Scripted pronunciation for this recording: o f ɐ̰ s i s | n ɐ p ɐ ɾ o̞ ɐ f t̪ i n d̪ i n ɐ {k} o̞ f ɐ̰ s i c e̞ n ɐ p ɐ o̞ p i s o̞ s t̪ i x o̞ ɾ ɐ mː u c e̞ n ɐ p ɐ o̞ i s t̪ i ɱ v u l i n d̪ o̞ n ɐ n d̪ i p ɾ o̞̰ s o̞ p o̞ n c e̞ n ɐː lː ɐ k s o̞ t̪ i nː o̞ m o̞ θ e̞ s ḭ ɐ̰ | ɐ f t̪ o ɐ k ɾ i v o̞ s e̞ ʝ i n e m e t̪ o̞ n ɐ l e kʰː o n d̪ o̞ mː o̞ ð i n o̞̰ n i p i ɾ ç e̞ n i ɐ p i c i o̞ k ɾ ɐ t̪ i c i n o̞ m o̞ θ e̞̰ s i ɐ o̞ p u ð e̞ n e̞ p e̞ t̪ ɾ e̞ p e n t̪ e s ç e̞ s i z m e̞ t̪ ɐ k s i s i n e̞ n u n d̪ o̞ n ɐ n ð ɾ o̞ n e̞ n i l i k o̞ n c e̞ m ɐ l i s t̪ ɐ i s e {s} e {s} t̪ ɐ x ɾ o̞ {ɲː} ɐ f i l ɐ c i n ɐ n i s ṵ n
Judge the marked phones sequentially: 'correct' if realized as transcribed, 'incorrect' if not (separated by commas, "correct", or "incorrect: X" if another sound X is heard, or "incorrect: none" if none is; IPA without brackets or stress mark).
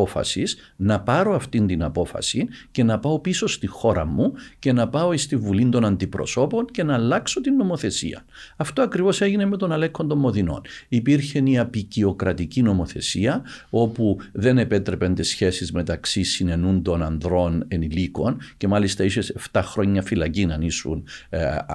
incorrect: p, correct, incorrect: f, correct